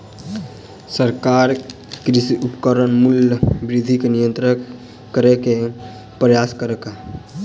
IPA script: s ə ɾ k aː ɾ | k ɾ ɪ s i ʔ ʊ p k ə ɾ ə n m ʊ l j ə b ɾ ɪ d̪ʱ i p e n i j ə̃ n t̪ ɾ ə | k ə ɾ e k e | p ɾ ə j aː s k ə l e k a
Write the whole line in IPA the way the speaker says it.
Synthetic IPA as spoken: s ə ɾ k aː ɾ | k ɾ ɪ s i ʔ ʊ p k ə ɾ ə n m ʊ l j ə b ɾ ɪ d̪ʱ i k e n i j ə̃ n t̪ ɾ ə | k ə ɾ e k e | p ɾ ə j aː s k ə ɾ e k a